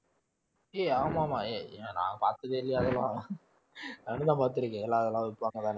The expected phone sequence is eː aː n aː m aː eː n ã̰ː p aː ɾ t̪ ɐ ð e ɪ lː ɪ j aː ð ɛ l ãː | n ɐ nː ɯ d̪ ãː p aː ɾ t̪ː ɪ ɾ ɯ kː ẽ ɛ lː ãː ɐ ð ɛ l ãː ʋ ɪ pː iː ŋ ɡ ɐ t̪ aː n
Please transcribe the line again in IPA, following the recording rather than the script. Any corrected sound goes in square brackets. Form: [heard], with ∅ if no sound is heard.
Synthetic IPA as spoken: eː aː [m] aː m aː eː n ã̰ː p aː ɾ t̪ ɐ ð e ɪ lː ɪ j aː ð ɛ l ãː | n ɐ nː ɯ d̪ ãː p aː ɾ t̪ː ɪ ɾ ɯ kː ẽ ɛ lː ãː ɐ ð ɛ l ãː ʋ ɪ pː [aː] ŋ ɡ ɐ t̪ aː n